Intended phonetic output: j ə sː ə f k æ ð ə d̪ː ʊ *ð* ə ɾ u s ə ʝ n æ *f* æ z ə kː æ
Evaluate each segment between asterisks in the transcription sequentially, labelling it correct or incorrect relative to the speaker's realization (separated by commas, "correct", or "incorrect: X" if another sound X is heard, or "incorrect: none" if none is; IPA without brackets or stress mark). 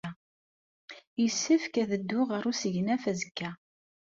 incorrect: ʁ, correct